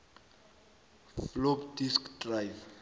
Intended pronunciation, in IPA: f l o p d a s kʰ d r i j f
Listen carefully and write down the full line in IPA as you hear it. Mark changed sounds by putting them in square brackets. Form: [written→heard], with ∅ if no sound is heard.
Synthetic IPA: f l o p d [a→i] s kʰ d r [i→a] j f